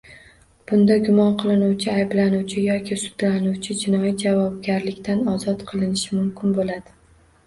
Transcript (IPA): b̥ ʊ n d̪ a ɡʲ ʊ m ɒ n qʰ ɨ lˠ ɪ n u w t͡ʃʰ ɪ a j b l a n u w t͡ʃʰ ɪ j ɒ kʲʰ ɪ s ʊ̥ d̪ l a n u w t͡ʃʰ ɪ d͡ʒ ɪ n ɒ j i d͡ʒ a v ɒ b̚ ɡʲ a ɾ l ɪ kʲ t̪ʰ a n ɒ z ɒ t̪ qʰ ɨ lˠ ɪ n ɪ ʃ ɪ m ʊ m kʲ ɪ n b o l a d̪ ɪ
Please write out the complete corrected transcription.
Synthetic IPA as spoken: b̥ ʊ n d̪ a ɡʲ ʊ m ɒ n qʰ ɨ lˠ ɪ n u w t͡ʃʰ ɪ a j b l a n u w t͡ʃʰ ɪ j ɒ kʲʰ ɪ s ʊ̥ d̪ l a n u w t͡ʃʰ ɪ d͡ʒ ɪ n ɒ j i d͡ʒ a v ɒ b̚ ɡʲ a ɾ l ɪ kʲ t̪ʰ a n ɒ z ɒ t̪ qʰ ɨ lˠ ɪ n ɪ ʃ ɪ m ʊ m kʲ ɪ n b o l a d̪ ɪ